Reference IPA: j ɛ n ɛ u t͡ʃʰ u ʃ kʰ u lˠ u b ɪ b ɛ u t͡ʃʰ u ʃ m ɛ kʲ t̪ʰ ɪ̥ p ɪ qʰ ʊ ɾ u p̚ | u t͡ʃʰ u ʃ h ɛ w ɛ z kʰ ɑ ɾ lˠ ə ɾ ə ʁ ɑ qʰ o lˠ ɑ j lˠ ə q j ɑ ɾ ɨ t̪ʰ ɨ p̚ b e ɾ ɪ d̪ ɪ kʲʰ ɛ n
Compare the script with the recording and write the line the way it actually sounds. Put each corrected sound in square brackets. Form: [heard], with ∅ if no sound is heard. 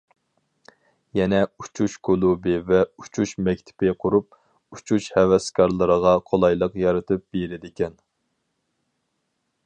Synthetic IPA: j ɛ n ɛ u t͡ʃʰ u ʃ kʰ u lˠ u b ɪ [v] ɛ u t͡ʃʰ u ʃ m ɛ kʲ t̪ʰ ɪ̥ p ɪ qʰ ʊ ɾ u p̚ | u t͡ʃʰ u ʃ h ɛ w ɛ [s] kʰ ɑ ɾ lˠ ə ɾ ə ʁ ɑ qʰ o lˠ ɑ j lˠ ə q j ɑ ɾ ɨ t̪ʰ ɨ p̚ b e ɾ ɪ d̪ ɪ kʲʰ ɛ n